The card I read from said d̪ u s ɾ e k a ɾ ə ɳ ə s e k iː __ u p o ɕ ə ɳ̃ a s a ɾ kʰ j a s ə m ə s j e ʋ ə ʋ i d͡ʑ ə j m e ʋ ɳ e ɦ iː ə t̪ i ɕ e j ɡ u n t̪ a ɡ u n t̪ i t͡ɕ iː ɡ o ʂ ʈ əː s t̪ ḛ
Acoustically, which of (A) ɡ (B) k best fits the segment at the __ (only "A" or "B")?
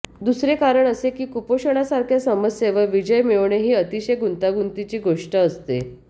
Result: B